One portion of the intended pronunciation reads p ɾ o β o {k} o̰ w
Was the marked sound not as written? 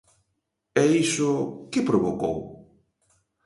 no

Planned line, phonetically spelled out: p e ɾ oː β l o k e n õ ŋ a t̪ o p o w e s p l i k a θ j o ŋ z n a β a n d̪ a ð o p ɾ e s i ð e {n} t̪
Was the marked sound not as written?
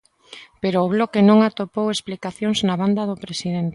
no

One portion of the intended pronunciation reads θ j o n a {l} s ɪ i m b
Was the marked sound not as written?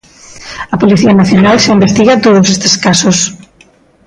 no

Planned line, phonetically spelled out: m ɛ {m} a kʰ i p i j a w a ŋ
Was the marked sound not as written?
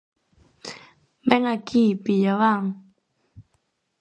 yes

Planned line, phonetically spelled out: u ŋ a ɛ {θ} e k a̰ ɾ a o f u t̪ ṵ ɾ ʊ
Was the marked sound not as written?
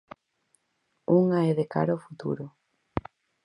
yes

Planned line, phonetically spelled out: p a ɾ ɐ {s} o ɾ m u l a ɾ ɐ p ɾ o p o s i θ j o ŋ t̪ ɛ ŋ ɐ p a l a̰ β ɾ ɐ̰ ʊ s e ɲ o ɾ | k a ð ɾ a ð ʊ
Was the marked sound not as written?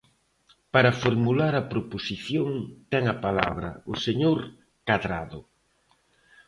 yes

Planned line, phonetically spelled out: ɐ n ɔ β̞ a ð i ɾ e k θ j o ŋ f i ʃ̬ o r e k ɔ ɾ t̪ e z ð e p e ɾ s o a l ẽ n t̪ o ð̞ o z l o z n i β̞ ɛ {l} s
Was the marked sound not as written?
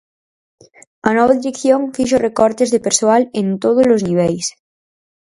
no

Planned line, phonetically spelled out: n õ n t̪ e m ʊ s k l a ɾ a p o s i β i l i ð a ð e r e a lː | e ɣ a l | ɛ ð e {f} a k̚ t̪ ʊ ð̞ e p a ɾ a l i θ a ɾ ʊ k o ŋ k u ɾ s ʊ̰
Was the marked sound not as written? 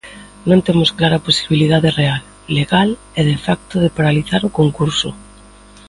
no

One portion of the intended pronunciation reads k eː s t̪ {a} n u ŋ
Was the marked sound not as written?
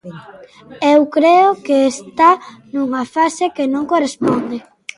no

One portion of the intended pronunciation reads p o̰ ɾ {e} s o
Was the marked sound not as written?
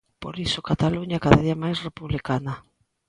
yes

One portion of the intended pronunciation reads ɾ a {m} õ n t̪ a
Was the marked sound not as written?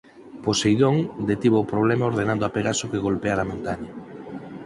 no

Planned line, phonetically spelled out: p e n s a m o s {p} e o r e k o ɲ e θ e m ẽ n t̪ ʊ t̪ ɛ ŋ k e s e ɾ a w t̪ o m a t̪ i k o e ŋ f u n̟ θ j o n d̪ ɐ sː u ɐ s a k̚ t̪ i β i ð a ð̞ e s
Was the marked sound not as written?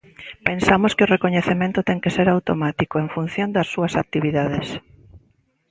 yes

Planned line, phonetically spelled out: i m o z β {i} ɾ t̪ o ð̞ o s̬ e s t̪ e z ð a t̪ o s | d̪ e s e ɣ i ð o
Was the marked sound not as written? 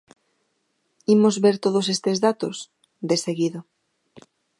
yes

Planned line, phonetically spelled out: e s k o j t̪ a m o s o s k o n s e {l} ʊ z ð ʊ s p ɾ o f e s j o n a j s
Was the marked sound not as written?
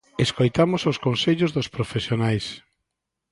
yes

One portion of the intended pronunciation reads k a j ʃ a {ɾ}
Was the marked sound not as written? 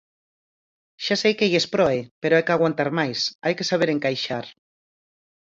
no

